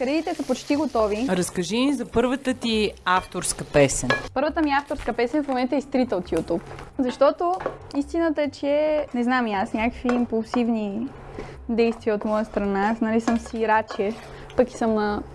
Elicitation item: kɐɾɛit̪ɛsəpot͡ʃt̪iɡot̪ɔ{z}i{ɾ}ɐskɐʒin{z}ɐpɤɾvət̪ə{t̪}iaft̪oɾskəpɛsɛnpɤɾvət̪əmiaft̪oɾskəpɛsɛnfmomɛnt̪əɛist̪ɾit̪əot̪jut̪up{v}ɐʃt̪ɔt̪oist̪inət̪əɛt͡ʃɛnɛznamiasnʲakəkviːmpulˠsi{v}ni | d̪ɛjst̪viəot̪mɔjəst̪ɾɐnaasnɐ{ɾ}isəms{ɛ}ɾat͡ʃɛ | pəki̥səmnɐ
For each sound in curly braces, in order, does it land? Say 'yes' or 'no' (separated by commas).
no, yes, yes, yes, no, yes, no, no